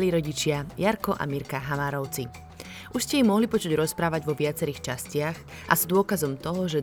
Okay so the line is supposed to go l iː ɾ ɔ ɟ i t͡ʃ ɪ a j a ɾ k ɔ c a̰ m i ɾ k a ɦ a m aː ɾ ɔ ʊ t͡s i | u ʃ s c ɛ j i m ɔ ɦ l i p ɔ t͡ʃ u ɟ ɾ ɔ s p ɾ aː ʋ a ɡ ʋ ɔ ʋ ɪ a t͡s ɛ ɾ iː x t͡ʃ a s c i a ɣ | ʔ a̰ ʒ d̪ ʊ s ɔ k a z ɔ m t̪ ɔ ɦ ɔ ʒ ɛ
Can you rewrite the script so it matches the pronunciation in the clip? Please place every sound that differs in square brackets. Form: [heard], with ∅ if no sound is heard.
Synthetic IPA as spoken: l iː ɾ ɔ ɟ i t͡ʃ ɪ a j a ɾ k ɔ [ʔ] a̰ m i ɾ k a ɦ a m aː ɾ ɔ ʊ t͡s i | u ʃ s c ɛ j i m ɔ ɦ l i p ɔ t͡ʃ u ɟ ɾ ɔ s p ɾ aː ʋ a [ɟ] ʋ ɔ ʋ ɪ a t͡s ɛ ɾ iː x t͡ʃ a s c [ɪ] a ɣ | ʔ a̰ [z] d̪ ʊ [∅] ɔ k a z ɔ m t̪ ɔ ɦ ɔ ʒ ɛ